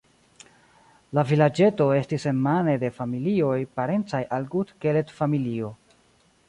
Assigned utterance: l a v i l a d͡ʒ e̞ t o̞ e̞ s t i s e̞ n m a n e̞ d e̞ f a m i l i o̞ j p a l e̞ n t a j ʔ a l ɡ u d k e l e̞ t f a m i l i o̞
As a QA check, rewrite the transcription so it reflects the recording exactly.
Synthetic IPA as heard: l a v i l a d͡ʒ e̞ t o̞ e̞ s t i s e̞ n m a n e̞ d e̞ f a m i l i o̞ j p a ɾ e̞ n t͡s a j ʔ a l ɡ u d k e l e̞ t f a m i l i o̞